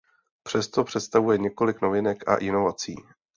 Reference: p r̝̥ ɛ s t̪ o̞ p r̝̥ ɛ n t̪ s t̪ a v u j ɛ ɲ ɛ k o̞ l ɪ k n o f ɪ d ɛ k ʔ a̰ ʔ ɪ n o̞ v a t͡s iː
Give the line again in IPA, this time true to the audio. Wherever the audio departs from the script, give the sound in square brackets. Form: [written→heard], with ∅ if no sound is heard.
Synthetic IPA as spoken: p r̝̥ ɛ s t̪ o̞ p r̝̥ ɛ [n→∅] t̪ s t̪ a v u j ɛ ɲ ɛ k o̞ l ɪ k n o [f→v] ɪ [d→n] ɛ k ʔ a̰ ʔ ɪ n o̞ v a t͡s iː